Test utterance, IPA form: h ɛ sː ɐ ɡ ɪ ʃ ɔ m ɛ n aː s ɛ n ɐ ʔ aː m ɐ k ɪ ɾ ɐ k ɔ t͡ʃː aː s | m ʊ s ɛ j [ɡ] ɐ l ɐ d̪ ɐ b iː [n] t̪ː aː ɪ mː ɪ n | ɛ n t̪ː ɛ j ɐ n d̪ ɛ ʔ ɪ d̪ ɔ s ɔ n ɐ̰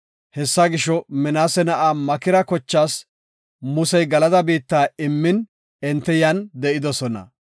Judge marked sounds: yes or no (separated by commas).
yes, no